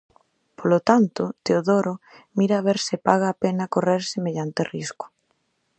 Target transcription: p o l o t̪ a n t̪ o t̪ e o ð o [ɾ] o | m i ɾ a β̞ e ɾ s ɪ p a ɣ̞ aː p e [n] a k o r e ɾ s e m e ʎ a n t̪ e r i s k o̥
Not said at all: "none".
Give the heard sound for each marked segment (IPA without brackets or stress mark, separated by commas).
ɾ, n